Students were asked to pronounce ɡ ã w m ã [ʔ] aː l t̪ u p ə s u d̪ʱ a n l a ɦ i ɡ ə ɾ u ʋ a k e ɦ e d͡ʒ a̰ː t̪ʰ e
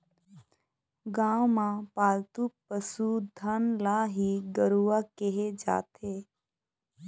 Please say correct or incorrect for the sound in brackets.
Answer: incorrect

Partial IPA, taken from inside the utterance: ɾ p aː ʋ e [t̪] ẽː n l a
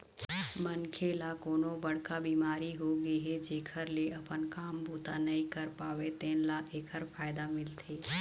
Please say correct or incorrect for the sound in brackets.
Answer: correct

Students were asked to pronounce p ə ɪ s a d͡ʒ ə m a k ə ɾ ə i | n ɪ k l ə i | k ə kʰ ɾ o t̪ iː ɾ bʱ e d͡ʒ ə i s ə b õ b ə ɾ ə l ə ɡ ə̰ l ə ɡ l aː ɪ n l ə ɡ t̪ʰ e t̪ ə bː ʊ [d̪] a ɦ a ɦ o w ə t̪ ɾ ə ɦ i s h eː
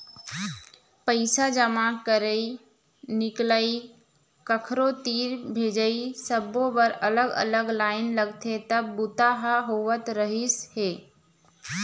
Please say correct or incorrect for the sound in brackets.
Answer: incorrect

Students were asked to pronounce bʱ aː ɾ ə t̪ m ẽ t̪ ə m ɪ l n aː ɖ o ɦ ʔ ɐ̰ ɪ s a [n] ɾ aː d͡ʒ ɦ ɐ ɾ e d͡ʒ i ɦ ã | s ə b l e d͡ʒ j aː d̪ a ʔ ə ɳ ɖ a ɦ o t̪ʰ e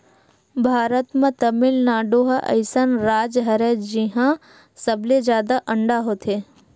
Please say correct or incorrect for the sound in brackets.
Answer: correct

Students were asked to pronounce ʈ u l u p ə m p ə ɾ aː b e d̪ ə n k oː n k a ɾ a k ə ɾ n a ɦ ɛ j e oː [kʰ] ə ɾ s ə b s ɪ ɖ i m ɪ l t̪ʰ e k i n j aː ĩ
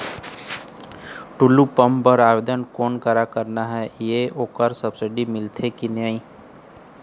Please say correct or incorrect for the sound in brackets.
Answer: incorrect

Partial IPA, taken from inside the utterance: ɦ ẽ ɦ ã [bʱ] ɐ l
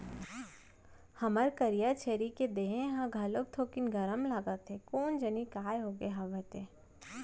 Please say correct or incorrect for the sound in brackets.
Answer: incorrect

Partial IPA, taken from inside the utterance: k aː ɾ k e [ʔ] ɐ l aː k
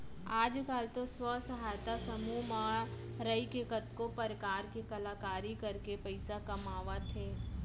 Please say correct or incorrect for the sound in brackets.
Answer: incorrect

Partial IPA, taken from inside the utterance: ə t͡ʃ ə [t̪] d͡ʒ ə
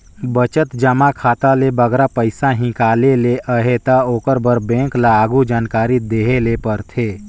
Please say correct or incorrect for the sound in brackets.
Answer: correct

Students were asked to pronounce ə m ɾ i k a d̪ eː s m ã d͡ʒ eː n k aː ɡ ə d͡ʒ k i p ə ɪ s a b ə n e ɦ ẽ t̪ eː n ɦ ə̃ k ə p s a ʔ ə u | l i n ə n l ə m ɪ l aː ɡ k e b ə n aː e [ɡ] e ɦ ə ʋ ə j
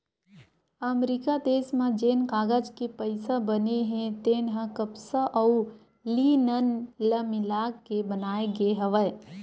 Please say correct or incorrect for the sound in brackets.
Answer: correct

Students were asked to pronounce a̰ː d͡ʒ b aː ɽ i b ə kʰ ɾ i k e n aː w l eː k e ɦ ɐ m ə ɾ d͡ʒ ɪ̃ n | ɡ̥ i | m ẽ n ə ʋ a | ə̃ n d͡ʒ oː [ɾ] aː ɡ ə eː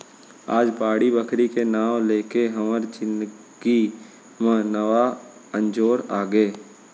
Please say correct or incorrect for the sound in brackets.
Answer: correct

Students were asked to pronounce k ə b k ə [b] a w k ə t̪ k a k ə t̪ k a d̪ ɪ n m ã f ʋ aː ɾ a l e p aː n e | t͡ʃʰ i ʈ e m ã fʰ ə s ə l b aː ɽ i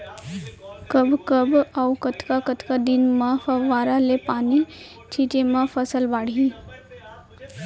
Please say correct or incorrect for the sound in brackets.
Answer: correct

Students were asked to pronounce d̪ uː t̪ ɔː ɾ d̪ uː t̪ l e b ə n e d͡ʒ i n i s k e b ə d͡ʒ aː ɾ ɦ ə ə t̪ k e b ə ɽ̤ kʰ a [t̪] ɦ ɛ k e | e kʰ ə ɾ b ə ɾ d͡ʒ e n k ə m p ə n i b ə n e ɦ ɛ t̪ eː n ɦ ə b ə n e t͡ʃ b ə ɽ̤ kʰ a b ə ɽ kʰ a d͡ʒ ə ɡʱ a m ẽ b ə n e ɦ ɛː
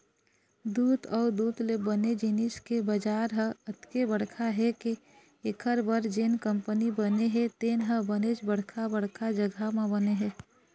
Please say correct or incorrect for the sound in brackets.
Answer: incorrect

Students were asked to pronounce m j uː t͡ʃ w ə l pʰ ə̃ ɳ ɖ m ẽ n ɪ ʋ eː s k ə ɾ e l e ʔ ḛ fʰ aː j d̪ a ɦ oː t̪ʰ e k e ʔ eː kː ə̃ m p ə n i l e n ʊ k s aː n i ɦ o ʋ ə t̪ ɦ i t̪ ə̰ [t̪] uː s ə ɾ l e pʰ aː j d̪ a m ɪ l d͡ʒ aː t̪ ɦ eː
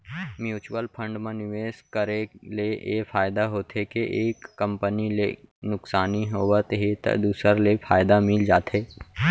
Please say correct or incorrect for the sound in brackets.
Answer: incorrect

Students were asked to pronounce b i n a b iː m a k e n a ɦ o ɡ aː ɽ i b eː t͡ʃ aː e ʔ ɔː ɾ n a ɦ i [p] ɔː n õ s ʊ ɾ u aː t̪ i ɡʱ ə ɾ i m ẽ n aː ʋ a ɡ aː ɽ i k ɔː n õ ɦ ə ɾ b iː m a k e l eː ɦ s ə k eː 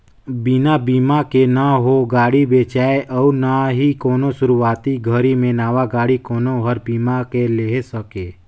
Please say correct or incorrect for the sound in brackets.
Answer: incorrect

